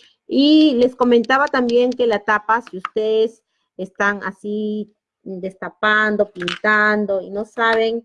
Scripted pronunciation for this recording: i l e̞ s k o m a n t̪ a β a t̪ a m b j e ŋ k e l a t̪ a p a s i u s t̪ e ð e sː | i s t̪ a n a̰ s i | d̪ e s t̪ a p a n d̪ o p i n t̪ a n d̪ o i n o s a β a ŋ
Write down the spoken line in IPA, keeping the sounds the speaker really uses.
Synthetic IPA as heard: i l e̞ s k o m e n t̪ a β a t̪ a m b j e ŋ k e l a t̪ a p a s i u s t̪ e ð e s | e s t̪ a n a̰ s i | d̪ e s t̪ a p a n d̪ o p i n t̪ a n d̪ o i n o s a β e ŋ